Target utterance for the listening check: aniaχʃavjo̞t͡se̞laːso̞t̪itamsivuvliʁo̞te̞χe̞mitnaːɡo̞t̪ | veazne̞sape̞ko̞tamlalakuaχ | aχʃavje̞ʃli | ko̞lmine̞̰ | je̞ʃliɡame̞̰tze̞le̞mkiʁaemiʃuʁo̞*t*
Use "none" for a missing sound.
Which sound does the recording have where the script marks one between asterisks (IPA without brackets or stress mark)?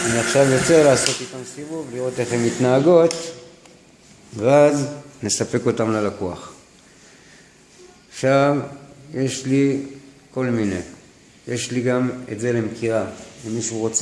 t͡s